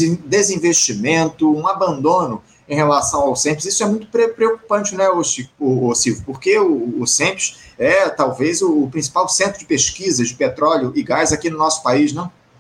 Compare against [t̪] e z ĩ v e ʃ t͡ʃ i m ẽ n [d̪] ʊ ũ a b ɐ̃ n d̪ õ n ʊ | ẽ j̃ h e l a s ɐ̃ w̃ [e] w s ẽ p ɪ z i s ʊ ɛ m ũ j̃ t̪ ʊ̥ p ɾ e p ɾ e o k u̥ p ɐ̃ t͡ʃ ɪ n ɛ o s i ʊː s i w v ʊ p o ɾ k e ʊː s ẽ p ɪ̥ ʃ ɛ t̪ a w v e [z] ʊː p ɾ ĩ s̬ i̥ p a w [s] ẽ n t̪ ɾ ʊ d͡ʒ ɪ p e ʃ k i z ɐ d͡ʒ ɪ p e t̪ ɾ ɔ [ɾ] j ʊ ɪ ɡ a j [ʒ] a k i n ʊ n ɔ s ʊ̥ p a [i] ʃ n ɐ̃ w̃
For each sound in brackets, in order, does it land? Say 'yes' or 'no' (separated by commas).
no, no, no, yes, yes, no, no, yes